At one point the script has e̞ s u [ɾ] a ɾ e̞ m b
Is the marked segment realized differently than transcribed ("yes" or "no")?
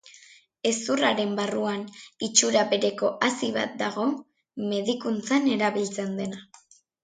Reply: yes